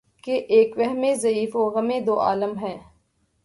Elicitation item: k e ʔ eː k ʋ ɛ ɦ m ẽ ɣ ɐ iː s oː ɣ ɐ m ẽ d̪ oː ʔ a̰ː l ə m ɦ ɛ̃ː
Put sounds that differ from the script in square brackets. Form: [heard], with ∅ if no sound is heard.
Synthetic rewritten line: k e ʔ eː k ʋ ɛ ɦ m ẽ [z] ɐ iː [f] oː ɣ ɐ m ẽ d̪ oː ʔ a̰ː l ə m ɦ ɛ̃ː